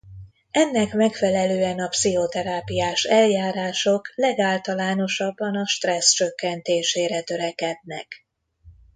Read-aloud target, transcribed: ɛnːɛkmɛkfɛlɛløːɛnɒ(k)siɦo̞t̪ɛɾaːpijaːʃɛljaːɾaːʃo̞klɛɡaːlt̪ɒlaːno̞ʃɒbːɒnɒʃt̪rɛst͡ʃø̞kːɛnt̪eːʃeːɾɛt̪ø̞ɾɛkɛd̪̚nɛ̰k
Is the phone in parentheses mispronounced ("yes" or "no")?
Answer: yes